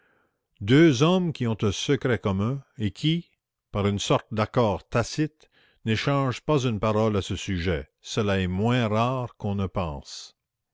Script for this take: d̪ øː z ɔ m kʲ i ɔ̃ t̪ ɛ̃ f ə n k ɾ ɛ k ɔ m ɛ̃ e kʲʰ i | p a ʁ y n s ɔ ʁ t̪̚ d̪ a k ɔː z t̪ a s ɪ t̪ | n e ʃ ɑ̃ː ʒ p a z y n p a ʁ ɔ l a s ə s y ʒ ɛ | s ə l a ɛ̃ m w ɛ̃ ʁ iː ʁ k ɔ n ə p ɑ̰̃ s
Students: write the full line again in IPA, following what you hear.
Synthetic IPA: d̪ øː z ɔ m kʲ i ɔ̃ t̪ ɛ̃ s ə k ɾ ɛ k ɔ m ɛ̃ e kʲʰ i | p a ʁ y n s ɔ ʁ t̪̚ d̪ a k ɔː ʁ t̪ a s ɪ t̪ | n e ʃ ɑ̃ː ʒ p a z y n p a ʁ ɔ l a s ə s y ʒ ɛ | s ə l a ɛ m w ɛ̃ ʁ aː ʁ k ɔ̃ n ə p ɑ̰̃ s